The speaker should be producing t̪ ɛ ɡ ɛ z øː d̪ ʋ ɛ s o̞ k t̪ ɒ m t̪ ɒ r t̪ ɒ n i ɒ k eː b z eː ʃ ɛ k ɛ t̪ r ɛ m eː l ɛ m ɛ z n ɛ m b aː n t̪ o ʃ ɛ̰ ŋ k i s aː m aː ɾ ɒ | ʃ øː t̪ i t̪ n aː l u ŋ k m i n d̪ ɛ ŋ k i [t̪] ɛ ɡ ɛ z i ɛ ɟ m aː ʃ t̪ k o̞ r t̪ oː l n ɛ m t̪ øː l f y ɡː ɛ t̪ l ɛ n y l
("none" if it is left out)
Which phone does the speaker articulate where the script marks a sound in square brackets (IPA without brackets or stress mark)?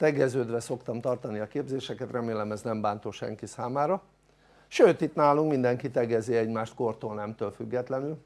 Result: t̪